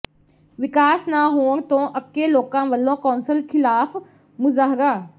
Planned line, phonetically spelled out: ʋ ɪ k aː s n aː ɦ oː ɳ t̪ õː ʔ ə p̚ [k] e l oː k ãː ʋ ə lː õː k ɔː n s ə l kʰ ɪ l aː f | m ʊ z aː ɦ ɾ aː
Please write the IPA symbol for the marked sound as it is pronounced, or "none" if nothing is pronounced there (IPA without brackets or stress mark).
k